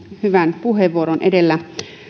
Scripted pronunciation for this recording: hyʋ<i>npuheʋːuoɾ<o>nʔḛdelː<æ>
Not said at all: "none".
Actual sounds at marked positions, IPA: æ, o, æ

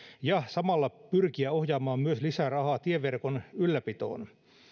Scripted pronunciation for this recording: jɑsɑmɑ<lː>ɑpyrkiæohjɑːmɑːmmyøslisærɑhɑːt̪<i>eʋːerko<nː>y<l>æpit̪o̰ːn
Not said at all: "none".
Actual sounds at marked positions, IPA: lː, i, n, lː

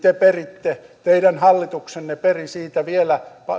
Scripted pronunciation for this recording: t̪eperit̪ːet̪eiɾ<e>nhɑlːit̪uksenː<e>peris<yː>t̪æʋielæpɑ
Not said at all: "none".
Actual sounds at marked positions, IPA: æ, e, iː

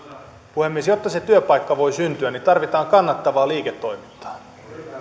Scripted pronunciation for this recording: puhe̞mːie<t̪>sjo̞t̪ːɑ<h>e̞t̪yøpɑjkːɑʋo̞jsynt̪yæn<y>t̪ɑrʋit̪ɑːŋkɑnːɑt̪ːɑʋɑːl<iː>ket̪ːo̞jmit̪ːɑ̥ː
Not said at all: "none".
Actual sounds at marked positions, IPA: none, s, i, iː

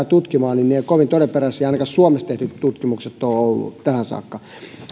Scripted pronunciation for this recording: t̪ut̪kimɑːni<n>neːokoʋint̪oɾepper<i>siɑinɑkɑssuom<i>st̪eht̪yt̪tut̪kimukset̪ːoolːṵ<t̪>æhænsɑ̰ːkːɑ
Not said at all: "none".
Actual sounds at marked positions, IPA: n, æ, e, t̪

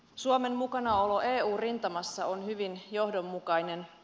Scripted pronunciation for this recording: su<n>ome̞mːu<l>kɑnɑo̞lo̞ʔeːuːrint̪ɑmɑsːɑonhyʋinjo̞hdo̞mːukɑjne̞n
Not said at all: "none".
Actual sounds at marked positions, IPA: none, none

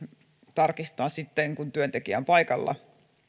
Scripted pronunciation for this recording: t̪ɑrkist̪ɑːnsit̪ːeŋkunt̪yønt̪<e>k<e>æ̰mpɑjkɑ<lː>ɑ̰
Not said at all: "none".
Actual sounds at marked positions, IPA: e, i, lː

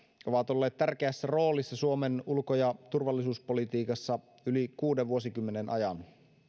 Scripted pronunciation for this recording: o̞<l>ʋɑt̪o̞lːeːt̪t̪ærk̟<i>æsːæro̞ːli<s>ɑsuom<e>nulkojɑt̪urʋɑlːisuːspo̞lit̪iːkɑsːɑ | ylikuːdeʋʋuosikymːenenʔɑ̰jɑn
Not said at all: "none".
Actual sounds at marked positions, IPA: none, e, sː, e

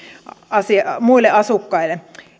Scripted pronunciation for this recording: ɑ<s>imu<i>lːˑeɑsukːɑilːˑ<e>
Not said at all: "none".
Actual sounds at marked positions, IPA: s, i, e

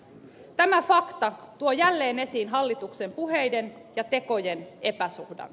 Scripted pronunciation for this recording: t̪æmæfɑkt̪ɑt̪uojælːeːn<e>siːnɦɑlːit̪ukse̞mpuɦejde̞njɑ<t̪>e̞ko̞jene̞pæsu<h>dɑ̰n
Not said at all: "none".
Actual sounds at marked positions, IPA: e, t̪, h

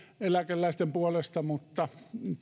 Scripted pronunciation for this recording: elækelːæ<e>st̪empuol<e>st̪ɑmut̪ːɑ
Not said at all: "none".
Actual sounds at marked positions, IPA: i, e

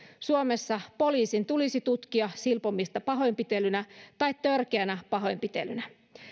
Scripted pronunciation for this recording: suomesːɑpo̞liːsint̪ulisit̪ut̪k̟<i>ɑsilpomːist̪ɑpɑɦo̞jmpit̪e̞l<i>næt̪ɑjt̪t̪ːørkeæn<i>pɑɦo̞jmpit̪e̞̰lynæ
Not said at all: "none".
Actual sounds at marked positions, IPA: i, y, æ

